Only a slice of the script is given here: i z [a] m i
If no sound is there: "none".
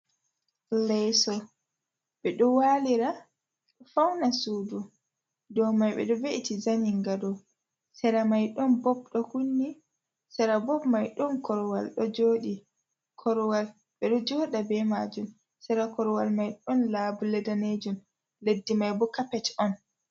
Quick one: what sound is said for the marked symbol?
a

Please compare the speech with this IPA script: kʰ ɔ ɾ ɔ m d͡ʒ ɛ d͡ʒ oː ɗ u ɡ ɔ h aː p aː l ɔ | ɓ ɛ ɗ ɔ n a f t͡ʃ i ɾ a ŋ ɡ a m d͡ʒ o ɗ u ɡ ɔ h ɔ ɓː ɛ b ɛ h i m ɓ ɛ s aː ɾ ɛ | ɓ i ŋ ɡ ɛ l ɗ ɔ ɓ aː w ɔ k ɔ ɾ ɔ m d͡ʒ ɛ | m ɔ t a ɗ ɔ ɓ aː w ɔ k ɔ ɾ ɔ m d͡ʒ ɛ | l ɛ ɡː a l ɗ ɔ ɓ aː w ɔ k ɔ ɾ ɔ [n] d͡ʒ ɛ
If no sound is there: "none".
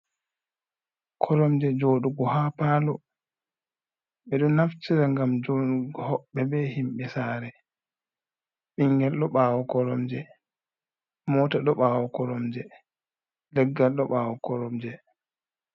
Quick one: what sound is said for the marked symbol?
m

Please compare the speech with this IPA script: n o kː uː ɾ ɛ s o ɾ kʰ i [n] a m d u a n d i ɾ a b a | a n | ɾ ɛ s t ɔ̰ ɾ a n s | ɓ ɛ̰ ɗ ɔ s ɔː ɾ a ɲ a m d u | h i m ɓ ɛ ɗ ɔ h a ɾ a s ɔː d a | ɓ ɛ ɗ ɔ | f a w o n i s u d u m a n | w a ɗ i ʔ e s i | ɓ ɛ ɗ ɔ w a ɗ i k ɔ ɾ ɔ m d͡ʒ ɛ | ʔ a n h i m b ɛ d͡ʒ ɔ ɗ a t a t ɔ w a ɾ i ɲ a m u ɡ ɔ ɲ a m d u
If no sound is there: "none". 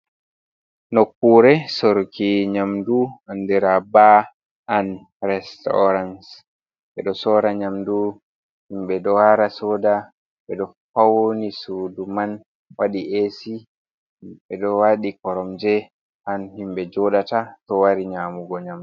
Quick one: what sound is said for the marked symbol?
ɲ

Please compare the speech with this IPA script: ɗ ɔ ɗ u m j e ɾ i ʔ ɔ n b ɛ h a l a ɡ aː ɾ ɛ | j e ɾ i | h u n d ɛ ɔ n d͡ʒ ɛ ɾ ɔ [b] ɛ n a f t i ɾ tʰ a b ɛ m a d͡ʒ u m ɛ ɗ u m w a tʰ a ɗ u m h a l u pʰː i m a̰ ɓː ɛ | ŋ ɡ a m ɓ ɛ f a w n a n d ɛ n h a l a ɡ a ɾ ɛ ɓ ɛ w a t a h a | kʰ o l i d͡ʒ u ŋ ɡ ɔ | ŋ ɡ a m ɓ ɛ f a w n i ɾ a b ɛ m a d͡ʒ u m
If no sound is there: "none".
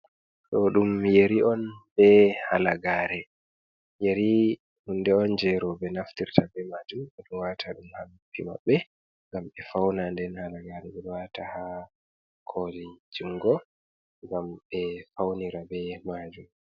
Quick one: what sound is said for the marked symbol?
b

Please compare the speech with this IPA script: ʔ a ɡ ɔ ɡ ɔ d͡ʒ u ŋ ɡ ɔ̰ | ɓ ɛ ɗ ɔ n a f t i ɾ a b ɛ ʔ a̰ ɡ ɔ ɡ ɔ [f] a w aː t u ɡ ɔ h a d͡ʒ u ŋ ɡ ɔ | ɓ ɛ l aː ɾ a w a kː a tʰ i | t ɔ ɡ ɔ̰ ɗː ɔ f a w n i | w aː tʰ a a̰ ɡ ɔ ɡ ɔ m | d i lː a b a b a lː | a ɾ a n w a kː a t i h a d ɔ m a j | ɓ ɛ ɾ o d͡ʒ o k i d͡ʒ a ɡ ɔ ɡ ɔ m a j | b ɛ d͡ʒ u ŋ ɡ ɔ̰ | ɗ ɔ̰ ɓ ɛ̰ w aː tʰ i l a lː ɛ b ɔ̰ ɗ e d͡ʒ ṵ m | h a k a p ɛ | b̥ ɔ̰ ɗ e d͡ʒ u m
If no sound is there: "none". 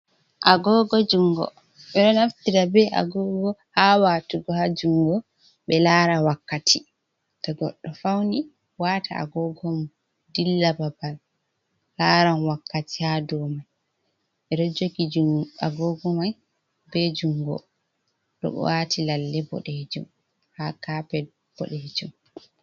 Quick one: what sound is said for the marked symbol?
h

